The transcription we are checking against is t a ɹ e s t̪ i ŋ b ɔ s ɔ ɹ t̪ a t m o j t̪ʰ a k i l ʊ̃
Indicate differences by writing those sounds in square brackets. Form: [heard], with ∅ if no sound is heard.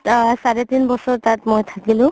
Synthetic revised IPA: [s] a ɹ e [∅] t̪ i [n] b ɔ s ɔ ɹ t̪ a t m o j t̪ʰ a k i l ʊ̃